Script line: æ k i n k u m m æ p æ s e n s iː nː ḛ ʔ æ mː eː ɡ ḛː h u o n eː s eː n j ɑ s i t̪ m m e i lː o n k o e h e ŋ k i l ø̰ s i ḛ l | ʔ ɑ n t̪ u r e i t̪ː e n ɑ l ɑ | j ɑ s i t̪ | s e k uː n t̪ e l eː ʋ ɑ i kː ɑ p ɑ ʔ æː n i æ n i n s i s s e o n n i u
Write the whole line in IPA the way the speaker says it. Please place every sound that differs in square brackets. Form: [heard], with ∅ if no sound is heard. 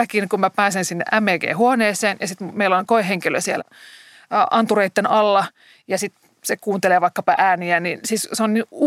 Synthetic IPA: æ k i n k u m m æ p [æː] s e n s [i] nː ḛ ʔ æ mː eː ɡ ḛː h u o n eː s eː n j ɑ s i t̪ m m e i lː o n k o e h e ŋ k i l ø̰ s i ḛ l | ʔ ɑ n t̪ u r e i t̪ː e n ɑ [lː] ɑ | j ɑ s i t̪ | s e k uː n t̪ e l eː ʋ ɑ i kː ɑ p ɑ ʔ æː n i æ n i n s i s s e o n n i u